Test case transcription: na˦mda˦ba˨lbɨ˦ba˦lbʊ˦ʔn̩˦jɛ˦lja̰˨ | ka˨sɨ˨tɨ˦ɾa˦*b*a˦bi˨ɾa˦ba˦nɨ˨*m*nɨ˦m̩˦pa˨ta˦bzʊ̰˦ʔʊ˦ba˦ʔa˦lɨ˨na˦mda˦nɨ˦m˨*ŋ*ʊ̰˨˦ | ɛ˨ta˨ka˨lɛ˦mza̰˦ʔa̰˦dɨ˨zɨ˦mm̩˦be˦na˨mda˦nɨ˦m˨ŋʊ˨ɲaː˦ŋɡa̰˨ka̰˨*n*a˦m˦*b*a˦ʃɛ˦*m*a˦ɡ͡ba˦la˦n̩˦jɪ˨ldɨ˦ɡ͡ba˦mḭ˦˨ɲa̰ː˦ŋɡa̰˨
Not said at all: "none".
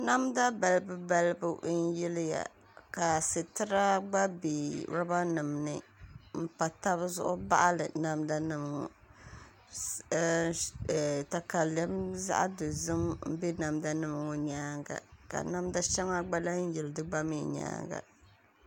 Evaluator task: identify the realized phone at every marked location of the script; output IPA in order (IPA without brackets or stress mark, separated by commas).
ɡ͡b, m, ŋ, n, d, ŋ